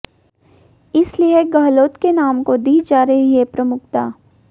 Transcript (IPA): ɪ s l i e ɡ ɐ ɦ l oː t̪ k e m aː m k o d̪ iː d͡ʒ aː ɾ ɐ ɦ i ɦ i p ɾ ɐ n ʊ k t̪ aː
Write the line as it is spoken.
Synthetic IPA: ɪ s l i e ɡ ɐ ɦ l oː t̪ k e n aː m k o d̪ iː d͡ʒ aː ɾ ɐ ɦ i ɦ e p ɾ ɐ m ʊ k t̪ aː

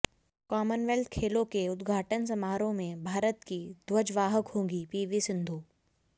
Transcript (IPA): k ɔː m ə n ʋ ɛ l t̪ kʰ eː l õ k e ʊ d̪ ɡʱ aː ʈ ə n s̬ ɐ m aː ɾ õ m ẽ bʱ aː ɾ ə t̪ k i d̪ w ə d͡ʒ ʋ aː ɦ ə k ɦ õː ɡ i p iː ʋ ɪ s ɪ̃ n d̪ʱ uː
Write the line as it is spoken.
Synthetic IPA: k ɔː m ə n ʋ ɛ l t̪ kʰ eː l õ k e ʊ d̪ ɡʱ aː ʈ ə n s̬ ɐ m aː ɾ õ m ẽ bʱ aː ɾ ə t̪ k i d̪ w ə d͡ʒ ʋ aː ɦ ə k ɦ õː ɡ i p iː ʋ i s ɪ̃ n d̪ʱ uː

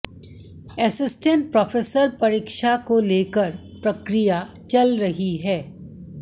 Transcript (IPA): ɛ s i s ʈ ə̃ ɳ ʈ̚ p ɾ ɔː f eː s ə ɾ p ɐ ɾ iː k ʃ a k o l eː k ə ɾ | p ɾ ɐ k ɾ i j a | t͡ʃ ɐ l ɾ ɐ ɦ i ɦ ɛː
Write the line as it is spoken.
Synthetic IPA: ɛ s ɪ s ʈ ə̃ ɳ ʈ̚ p ɾ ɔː f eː s ə ɾ p ɐ ɾ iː k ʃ a k o l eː k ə ɾ | p ɾ ɐ k ɾ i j a | t͡ʃ ɐ l ɾ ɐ ɦ i ɦ ɛː

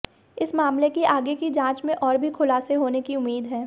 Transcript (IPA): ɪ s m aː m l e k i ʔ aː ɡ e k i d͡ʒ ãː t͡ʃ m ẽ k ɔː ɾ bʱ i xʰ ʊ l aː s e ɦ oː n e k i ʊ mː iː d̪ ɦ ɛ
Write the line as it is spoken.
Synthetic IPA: ɪ s m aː m l e k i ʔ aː ɡ e k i d͡ʒ ãː t͡ʃ m ẽ ʔ ɔː ɾ bʱ i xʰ ʊ l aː s e ɦ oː n e k i ʊ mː iː d̪ ɦ ɛː

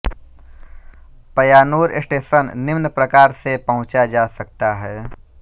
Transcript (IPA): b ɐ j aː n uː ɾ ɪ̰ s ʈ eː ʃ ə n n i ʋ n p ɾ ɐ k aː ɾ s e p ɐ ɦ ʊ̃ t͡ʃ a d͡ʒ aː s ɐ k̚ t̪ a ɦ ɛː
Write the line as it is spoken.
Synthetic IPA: p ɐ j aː n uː ɾ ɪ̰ s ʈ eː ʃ ə n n ɪ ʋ n p ɾ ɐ k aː ɾ s e p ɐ ɦ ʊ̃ t͡ʃ a d͡ʒ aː s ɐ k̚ t̪ a ɦ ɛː

